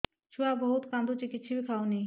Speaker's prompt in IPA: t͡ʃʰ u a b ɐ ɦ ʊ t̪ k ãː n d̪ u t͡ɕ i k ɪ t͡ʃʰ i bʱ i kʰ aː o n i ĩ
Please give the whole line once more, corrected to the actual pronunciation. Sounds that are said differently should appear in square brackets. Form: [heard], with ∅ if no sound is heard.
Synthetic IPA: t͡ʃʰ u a b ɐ ɦ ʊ t̪ k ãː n d̪ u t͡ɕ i k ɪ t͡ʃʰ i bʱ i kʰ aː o n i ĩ